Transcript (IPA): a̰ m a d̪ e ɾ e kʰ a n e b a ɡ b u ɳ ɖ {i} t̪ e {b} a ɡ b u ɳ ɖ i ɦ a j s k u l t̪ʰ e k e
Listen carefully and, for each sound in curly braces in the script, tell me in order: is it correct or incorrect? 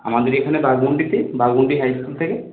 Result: correct, correct

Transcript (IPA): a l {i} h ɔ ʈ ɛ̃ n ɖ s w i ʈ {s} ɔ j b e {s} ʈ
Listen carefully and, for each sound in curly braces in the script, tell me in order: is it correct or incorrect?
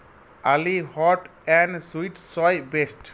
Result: correct, correct, correct

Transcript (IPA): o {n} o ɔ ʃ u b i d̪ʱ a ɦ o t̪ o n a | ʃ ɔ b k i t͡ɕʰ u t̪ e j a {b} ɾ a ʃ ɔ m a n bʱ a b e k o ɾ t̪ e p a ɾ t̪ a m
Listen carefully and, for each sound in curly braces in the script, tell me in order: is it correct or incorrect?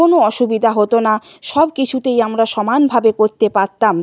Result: correct, incorrect

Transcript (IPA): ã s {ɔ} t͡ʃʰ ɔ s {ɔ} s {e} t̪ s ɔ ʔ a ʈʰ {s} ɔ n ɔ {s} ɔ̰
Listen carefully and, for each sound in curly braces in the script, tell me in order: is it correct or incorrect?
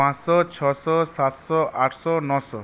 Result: correct, correct, incorrect, correct, correct

